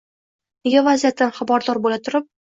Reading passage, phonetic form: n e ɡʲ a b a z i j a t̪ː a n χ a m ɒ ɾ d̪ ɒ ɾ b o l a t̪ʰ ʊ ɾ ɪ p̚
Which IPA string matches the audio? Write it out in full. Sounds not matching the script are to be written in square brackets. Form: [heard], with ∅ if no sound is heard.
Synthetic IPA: n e ɡʲ a [v] a z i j a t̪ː a n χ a [b] ɒ ɾ d̪ ɒ ɾ b o l a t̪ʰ ʊ ɾ ɪ p̚

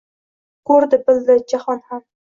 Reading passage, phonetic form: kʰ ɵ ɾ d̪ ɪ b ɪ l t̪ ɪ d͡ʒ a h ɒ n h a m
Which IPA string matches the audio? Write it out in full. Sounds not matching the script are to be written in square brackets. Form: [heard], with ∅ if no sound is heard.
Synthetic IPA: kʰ ɵ ɾ d̪ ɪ b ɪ l [d̪] ɪ d͡ʒ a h ɒ n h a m

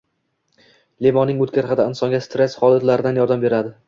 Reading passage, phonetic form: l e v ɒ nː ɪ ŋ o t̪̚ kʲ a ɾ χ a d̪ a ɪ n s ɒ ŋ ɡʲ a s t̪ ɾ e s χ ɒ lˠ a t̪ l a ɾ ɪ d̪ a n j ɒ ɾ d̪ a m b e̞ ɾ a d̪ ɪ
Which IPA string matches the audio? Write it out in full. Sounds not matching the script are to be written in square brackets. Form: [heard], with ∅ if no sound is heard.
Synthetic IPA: l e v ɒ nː ɪ ŋ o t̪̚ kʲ a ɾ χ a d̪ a ɪ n s ɒ ŋ ɡʲ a s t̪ ɾ e s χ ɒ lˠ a t̪ l a ɾ ɪ d̪ a n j ɒ ɾ d̪ a m b e̞ ɾ a d̪ ɪ

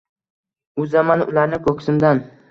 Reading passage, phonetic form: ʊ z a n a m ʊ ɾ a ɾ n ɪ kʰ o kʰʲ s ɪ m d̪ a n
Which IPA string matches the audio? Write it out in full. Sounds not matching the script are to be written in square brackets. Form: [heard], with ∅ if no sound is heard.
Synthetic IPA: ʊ z a [m] a [n] ʊ [l] a ɾ n ɪ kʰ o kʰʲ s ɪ m d̪ a n

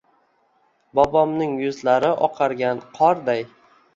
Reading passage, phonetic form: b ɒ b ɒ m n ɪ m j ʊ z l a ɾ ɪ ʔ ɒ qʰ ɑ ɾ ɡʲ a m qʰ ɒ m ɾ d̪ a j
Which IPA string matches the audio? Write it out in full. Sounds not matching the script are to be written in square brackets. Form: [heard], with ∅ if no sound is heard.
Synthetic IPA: b ɒ b ɒ m n ɪ [ŋ] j ʊ z l a ɾ ɪ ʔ ɒ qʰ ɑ ɾ ɡʲ a [n] qʰ ɒ [∅] ɾ d̪ a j

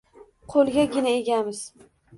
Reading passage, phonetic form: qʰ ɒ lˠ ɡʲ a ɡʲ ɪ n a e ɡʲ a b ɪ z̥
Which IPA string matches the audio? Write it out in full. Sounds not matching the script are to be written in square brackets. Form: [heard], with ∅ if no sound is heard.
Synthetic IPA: qʰ [o] lˠ ɡʲ a ɡʲ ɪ n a e ɡʲ a [m] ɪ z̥

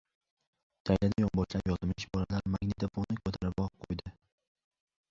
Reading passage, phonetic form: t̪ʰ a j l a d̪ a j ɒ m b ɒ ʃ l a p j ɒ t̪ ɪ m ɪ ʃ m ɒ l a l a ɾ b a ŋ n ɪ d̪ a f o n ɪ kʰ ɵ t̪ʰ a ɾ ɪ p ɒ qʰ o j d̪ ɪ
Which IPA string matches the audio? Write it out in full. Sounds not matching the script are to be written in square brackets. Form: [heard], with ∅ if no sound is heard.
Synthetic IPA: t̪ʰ a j l a d̪ a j ɒ m b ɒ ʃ l a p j ɒ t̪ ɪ m ɪ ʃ [b] ɒ l a l a ɾ [m] a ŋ n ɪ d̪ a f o n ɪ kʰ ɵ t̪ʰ a ɾ ɪ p ɒ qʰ o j d̪ ɪ

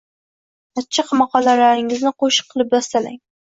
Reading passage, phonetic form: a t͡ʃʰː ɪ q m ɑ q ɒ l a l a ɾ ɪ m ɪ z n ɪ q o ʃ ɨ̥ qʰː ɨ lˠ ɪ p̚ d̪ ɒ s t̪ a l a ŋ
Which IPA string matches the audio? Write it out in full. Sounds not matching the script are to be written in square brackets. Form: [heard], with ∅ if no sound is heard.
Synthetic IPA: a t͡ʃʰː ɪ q m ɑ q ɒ l a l a ɾ ɪ [ŋ] ɪ z n ɪ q o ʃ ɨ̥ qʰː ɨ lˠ ɪ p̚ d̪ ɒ s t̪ a l a ŋ

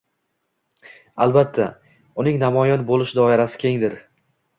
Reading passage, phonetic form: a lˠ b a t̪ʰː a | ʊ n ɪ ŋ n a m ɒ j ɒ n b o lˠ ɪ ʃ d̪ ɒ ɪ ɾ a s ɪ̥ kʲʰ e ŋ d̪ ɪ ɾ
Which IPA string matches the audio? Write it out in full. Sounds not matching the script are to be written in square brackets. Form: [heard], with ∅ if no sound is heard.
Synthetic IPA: a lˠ b a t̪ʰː a | ʊ n ɪ ŋ n a m ɒ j ɒ n b o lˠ ɪ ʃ d̪ ɒ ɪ ɾ a s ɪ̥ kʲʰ e ŋ d̪ ɪ ɾ

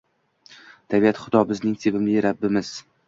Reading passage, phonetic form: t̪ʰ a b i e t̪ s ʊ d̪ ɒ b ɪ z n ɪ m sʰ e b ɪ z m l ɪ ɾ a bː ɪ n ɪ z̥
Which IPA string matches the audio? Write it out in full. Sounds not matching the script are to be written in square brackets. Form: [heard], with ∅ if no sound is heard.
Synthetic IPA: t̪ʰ a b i [a] t̪ [χ] ʊ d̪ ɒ b ɪ z n ɪ [ŋ] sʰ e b ɪ [∅] m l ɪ ɾ a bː ɪ [m] ɪ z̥

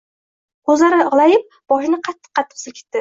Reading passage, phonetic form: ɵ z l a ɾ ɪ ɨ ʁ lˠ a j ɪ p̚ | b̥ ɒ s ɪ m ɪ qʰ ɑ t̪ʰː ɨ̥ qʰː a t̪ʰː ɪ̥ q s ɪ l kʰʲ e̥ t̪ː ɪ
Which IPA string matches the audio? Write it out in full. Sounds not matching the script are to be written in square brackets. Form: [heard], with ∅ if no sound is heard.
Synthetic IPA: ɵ z l a ɾ ɪ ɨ ʁ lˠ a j ɪ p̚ | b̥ ɒ [ʃ] ɪ [n] ɪ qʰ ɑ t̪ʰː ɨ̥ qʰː [ɑ] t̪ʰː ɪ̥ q s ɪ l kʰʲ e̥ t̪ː ɪ

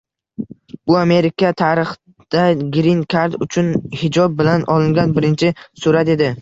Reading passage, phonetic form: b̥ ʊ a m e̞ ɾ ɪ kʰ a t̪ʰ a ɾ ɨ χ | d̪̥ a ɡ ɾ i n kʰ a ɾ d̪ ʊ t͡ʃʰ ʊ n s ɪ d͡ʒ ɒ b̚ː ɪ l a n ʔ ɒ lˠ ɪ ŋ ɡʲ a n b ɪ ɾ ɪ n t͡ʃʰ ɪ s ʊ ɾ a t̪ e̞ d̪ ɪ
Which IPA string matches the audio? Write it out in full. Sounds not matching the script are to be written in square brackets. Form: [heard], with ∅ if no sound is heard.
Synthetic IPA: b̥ ʊ a m e̞ ɾ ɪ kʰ a t̪ʰ a ɾ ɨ χ | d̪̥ a ɡ ɾ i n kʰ a ɾ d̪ ʊ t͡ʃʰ ʊ n [h] ɪ d͡ʒ ɒ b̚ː ɪ l a n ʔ ɒ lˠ ɪ ŋ ɡʲ a n b ɪ ɾ ɪ n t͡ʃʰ ɪ s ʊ ɾ a t̪ e̞ d̪ ɪ

